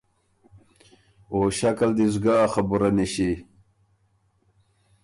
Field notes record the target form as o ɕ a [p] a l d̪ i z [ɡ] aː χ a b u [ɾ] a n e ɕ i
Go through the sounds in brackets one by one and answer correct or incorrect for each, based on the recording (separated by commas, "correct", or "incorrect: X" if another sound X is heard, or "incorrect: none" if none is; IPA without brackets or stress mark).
incorrect: k, correct, correct